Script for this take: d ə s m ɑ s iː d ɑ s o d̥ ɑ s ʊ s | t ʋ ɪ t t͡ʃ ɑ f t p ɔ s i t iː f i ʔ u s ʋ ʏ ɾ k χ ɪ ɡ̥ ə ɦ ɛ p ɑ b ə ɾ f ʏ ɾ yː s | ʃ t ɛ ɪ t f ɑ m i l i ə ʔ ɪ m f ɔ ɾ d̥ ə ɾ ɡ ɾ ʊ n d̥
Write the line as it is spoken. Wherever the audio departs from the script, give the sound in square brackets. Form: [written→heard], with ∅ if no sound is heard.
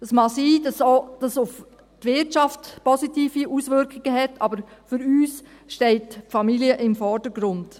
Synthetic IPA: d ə s m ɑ s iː d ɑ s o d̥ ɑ s ʊ [s→f] | t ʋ ɪ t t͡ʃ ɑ f t p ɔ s i t iː f i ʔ u s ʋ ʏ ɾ k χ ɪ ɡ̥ ə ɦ ɛ [p→t] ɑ b ə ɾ f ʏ ɾ yː s | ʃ t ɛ ɪ t f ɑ m i l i ə ʔ ɪ m f ɔ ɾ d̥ ə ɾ ɡ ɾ ʊ n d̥